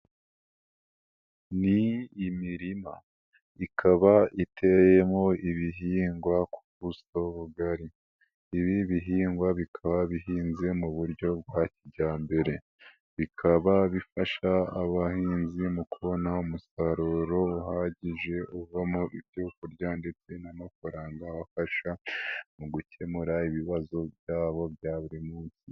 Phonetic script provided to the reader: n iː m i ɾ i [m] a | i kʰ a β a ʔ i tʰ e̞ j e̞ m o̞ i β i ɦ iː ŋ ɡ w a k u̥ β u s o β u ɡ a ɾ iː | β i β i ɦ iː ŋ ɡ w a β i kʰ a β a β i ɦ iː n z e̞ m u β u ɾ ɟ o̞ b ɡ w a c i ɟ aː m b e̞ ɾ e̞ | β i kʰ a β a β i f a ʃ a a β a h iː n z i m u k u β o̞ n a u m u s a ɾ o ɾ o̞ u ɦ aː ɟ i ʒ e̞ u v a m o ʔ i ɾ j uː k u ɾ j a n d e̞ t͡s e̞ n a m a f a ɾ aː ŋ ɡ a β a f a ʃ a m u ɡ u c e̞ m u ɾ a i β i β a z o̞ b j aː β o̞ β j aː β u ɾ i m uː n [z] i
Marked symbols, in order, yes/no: yes, no

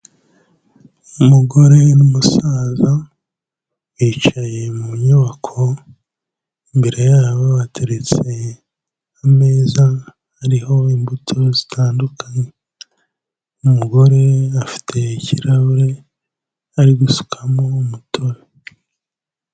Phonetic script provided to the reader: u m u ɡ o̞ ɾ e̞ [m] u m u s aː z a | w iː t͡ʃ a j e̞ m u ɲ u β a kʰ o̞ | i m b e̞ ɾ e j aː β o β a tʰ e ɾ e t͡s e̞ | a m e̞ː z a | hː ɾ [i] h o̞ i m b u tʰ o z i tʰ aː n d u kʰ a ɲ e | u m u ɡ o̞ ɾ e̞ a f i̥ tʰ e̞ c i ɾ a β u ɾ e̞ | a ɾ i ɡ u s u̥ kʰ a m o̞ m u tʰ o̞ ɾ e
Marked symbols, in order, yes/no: no, yes

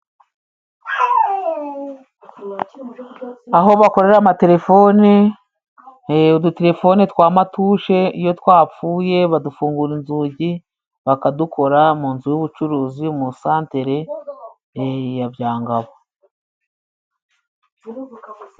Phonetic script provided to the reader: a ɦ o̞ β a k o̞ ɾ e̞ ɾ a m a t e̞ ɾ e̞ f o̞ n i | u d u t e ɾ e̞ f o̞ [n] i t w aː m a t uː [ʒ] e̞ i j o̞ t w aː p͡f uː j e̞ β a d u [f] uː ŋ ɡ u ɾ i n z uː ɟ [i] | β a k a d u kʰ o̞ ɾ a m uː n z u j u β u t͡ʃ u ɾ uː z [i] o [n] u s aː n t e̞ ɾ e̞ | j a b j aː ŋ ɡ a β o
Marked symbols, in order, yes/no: yes, no, yes, yes, yes, no

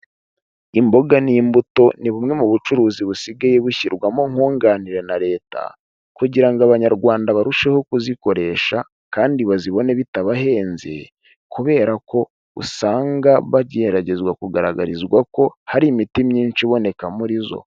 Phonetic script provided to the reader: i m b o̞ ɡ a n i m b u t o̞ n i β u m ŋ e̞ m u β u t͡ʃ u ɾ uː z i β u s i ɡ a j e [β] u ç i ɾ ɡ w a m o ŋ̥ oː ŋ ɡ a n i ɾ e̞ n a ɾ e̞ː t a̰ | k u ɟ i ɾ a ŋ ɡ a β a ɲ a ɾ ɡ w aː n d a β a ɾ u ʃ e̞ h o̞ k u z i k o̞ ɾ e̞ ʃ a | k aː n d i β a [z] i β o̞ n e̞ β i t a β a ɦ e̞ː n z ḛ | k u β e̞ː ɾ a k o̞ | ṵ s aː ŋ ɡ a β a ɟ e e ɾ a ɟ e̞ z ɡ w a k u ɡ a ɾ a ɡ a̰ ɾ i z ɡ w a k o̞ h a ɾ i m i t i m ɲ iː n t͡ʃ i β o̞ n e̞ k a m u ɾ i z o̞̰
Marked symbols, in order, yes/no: yes, yes

